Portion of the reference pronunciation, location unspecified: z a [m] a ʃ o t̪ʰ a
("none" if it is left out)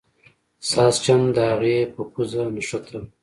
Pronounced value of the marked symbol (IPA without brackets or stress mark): n